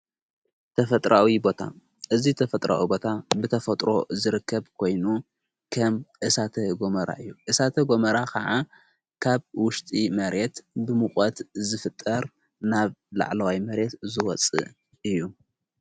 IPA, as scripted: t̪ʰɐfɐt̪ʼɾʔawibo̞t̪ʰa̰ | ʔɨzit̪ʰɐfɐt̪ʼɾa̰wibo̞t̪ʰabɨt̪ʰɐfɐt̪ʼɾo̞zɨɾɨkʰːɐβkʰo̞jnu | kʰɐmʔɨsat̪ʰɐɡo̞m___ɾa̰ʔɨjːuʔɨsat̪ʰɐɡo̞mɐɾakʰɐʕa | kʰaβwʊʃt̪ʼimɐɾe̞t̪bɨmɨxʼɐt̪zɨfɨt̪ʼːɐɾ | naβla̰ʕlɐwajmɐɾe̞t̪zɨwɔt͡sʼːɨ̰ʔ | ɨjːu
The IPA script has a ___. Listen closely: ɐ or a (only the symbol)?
ɐ